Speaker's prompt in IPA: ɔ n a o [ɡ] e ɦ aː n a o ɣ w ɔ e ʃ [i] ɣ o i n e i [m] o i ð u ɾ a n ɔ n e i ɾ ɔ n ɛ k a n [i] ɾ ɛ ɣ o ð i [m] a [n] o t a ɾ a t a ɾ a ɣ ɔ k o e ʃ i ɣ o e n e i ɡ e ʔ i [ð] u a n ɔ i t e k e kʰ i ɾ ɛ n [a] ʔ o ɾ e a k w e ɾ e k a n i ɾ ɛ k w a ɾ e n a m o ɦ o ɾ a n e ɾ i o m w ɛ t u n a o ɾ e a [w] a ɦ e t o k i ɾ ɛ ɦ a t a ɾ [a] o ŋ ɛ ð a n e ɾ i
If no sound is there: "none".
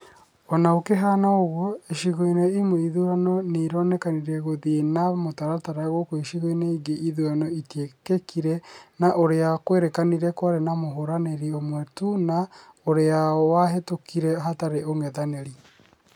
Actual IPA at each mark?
k, i, m, i, n, m, ð, a, w, e

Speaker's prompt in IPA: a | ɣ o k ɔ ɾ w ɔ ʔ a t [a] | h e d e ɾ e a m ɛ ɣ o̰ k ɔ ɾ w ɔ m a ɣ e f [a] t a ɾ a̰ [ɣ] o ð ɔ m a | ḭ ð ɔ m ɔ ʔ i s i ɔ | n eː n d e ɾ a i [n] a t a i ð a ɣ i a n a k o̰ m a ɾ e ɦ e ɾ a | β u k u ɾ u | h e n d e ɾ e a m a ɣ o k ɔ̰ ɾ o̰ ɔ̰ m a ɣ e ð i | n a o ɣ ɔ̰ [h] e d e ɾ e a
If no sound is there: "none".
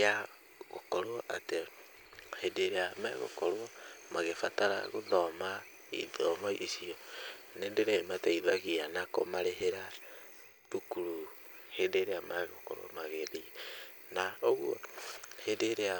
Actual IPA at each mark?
e, a, ɣ, m, h

